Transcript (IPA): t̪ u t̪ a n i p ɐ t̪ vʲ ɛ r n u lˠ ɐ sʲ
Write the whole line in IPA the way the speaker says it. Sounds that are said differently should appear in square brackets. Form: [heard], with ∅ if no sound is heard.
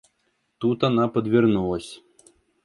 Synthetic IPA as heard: t̪ u t̪ a n [a] p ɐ [d̪] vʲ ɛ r n u lˠ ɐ sʲ